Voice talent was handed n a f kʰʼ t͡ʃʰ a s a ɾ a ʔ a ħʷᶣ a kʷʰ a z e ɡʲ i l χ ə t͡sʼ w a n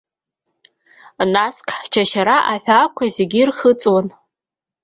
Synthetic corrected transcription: n a s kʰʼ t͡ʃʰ a ʃ a ɾ a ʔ a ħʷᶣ a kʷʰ a z e ɡʲ i r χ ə t͡sʼ w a n